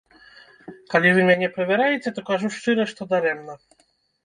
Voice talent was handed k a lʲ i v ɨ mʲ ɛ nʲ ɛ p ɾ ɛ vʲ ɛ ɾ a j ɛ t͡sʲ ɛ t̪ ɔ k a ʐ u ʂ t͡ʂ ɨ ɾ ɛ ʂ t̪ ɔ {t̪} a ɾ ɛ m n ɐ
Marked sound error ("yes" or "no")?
yes